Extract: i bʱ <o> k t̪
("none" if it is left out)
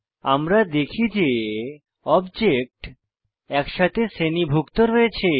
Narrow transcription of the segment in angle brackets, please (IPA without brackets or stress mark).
u